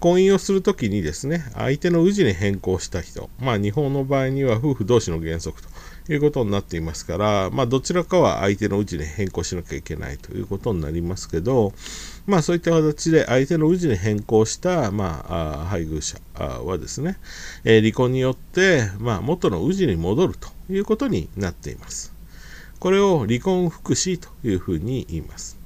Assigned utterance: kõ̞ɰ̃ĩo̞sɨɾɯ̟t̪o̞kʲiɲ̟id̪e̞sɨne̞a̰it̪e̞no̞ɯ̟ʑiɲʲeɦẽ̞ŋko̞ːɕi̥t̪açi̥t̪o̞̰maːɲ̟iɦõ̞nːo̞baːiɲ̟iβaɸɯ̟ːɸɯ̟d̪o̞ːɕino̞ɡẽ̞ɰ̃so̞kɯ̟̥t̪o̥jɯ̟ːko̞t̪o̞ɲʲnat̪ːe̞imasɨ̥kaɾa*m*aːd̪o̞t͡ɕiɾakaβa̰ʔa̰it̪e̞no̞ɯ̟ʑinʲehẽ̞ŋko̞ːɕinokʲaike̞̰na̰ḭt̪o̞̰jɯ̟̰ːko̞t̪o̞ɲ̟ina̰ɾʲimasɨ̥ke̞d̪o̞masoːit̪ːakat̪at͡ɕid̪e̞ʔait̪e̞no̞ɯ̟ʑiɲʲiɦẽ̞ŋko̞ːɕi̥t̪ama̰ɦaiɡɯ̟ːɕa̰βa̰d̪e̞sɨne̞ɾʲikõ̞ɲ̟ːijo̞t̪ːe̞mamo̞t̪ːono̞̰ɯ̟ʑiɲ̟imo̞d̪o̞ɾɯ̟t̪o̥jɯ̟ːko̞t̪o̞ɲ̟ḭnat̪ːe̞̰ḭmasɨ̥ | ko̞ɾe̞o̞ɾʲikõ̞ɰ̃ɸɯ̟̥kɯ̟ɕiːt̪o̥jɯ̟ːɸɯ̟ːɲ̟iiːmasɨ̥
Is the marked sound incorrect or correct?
correct